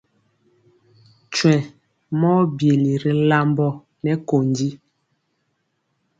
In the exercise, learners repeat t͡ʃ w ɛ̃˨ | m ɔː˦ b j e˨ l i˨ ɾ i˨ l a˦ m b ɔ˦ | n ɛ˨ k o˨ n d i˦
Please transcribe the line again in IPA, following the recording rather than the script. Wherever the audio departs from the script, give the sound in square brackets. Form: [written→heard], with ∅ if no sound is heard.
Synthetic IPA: t͡ʃ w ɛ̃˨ | m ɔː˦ b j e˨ l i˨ ɾ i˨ l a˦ m b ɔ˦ | n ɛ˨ k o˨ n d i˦